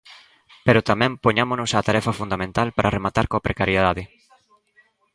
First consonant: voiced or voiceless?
voiceless